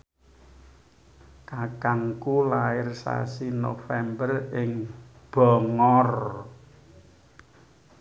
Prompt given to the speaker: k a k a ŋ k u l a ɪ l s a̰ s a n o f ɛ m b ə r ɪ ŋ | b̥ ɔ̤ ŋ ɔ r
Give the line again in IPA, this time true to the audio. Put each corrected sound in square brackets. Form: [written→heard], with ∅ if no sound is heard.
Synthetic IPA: k a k a ŋ k u l a ɪ [l→r] s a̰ s [a→i] n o f ɛ m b ə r ɪ ŋ | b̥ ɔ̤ ŋ ɔ r